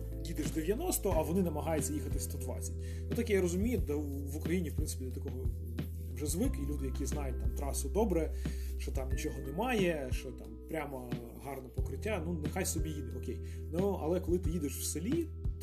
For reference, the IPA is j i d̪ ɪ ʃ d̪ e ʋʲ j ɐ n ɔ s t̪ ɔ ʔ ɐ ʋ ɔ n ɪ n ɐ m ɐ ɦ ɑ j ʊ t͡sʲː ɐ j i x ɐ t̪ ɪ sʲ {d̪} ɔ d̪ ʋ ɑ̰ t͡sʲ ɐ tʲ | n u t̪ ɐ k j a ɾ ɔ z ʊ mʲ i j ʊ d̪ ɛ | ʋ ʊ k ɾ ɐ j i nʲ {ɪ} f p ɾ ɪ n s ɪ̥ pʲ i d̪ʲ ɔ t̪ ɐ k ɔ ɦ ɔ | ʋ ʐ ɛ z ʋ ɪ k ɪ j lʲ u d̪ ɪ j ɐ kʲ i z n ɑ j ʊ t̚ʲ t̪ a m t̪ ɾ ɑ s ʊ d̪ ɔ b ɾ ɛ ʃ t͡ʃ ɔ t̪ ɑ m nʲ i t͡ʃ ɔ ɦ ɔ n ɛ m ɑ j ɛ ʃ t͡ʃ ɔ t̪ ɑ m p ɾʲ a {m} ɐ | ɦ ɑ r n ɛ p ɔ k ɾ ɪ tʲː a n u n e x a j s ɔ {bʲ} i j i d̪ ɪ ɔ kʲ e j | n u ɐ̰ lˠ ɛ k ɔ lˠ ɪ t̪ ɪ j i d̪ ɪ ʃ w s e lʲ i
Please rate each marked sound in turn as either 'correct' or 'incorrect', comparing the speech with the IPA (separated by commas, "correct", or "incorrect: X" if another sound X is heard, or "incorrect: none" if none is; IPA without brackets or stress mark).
incorrect: t̪, incorrect: i, correct, correct